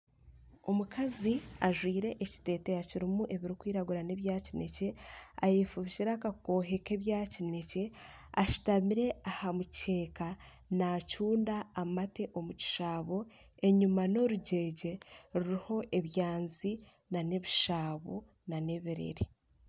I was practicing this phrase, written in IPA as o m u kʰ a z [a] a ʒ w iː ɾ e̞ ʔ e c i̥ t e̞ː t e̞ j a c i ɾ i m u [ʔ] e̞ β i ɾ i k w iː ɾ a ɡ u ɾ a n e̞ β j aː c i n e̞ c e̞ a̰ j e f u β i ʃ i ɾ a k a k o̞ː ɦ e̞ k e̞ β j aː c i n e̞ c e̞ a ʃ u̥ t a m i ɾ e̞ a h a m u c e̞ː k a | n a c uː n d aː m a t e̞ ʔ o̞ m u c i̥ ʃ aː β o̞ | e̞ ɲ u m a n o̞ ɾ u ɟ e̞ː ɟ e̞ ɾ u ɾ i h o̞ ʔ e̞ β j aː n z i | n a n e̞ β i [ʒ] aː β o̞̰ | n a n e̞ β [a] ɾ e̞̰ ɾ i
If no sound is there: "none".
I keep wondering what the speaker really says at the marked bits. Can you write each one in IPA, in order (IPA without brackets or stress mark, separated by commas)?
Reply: i, ʔ, ʃ, i